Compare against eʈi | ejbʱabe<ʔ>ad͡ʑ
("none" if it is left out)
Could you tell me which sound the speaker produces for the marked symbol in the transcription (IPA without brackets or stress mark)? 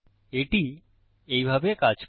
k